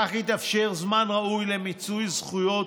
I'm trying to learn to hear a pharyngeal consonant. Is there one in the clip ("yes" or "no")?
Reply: no